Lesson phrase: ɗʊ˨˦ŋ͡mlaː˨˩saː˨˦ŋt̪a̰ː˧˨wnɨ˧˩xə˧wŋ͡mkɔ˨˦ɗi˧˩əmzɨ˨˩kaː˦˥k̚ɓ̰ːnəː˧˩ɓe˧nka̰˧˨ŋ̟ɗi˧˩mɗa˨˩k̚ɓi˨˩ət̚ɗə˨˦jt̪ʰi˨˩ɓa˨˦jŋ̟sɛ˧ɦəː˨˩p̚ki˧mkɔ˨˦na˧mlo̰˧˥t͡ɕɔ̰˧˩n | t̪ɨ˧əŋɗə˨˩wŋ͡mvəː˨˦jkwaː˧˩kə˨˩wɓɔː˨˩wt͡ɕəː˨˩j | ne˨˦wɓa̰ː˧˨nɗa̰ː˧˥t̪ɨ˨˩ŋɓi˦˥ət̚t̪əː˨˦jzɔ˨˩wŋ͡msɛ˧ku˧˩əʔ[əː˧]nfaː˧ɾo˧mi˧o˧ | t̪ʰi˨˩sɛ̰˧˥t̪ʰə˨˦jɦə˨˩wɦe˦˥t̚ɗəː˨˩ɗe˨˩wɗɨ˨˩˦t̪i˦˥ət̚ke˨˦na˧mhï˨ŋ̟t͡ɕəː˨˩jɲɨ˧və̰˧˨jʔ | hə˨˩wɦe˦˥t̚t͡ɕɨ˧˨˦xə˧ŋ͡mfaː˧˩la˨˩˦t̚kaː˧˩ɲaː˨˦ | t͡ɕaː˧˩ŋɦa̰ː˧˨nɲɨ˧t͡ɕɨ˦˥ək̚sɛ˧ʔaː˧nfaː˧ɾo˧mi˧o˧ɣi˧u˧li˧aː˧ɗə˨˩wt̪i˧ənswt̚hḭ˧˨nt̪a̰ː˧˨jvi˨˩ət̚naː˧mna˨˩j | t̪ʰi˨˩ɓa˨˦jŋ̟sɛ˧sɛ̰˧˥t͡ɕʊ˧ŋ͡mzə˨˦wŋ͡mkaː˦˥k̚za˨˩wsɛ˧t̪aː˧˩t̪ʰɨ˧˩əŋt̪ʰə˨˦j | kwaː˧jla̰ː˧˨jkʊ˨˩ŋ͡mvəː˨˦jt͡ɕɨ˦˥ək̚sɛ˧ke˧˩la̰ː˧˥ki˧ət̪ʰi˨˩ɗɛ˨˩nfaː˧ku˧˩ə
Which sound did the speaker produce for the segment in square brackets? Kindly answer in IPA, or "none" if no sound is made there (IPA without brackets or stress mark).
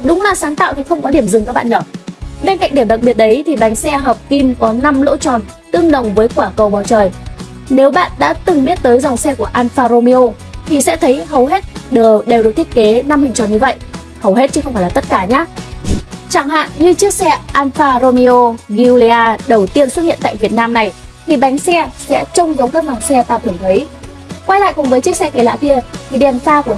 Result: aː˧